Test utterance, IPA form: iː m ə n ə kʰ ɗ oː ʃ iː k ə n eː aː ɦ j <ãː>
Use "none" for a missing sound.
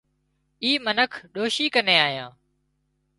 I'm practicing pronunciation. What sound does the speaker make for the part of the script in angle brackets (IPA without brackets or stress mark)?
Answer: ãː